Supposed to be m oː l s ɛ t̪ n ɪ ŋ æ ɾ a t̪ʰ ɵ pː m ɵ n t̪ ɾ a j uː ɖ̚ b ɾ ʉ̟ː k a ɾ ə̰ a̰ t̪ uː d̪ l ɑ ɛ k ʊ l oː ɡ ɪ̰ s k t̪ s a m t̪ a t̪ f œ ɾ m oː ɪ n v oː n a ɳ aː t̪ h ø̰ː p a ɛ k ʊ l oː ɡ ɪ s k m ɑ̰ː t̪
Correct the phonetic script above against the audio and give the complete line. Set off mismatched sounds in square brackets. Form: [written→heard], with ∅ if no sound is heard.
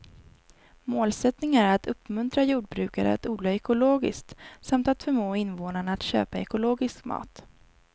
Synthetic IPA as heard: m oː l s ɛ t̪ n ɪ ŋ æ ɾ a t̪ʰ ɵ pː m ɵ n t̪ ɾ a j uː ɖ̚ b ɾ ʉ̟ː k a ɾ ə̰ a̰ t̪ uː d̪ l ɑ ɛ k ʊ l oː ɡ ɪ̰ s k t̪ s a m t̪ a t̪ f œ ɾ m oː ɪ n v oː n a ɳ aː t̪ [h→ɕ] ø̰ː p a ɛ k ʊ l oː ɡ ɪ s k m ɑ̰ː t̪